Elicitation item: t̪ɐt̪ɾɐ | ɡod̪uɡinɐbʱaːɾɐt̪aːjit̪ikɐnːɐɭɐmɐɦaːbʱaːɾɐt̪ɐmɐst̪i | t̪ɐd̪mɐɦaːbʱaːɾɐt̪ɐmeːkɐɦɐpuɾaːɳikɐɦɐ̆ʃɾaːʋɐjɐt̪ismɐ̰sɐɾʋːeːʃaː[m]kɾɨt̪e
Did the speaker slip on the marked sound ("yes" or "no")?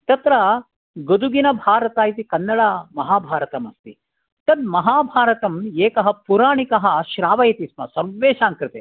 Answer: yes